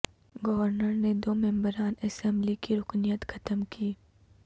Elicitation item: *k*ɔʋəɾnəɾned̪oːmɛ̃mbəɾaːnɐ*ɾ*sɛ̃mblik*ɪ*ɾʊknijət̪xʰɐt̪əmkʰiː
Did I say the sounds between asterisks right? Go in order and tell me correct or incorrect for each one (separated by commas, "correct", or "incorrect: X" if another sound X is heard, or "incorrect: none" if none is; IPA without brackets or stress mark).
incorrect: ɡ, incorrect: none, incorrect: i